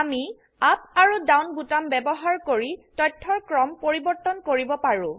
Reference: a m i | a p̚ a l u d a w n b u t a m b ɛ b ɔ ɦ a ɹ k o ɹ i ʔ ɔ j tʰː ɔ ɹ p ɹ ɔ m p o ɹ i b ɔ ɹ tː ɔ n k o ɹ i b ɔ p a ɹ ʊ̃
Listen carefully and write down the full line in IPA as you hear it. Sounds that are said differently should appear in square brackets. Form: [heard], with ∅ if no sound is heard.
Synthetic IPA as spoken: a m i | a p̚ a [ɹ] u d a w n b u t a m b ɛ b ɔ ɦ a ɹ k o ɹ i [t] ɔ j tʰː ɔ ɹ [k] ɹ ɔ m p o ɹ i b ɔ ɹ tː ɔ n k o ɹ i b ɔ p a ɹ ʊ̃